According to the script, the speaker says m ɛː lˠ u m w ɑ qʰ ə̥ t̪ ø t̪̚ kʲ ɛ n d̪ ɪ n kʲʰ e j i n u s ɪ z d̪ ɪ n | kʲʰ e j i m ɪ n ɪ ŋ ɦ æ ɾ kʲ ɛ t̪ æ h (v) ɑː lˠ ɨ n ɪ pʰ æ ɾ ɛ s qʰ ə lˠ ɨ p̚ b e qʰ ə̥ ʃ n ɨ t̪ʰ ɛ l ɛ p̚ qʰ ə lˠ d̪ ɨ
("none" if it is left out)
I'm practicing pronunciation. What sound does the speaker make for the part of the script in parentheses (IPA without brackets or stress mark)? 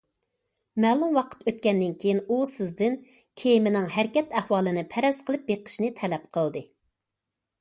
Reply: w